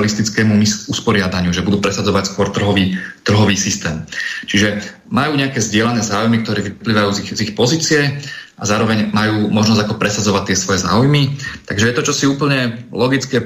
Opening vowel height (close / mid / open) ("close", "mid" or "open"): close